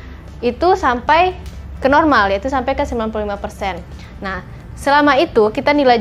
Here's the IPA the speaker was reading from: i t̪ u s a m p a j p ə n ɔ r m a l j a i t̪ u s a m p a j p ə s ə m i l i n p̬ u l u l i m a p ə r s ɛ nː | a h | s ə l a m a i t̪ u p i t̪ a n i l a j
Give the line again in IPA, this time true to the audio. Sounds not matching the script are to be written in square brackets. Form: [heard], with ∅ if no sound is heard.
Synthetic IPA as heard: i t̪ u s a m p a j [k] ə n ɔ r m a l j a i t̪ u s a m p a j [k] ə s ə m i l [a] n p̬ u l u l i m a p ə r s ɛ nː | a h | s ə l a m a i t̪ u [k] i t̪ a n i l a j